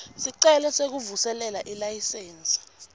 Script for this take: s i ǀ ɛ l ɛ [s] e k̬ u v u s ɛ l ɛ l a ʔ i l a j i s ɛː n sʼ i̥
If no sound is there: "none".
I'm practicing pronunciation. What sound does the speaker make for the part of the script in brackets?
s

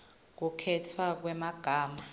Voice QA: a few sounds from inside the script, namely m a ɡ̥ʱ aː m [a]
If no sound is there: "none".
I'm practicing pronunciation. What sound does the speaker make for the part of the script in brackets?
a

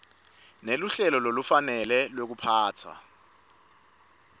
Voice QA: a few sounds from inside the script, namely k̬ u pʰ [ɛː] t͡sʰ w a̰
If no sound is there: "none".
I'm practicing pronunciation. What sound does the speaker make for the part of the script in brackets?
aː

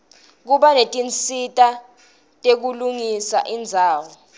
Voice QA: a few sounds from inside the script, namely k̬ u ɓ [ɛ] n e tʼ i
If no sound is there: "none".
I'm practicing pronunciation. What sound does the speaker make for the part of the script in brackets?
a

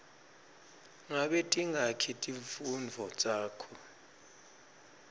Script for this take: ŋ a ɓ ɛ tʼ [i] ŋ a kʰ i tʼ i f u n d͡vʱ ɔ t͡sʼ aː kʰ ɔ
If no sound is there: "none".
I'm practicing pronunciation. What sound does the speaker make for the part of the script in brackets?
i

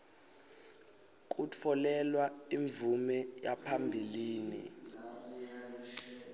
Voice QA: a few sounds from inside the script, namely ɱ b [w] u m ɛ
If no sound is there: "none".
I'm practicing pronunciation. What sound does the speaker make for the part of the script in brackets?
v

